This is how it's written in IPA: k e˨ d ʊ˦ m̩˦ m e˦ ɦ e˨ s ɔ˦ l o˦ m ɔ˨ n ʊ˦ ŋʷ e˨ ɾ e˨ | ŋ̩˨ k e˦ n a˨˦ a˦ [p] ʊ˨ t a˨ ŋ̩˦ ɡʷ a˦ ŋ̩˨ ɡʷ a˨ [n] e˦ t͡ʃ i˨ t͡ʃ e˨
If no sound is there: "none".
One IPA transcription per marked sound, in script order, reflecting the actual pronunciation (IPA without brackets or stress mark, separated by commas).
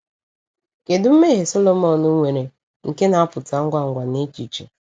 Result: p, n